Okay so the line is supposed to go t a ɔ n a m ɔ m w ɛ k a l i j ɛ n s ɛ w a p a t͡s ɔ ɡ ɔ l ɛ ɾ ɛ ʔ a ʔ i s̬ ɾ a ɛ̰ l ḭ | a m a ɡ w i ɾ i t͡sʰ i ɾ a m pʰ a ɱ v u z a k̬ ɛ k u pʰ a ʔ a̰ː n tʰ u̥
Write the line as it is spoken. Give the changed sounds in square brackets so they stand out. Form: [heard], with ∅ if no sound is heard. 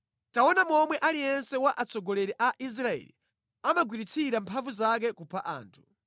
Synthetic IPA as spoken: t a ɔ n a m ɔ m w ɛ [ʔ] a l i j ɛ n s ɛ w a [ʔ] a t͡s ɔ ɡ ɔ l ɛ ɾ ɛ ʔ a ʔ i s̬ ɾ a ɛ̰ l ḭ | a m a ɡ w i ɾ i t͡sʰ i ɾ a m pʰ a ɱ v u z a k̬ ɛ k u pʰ a ʔ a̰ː n tʰ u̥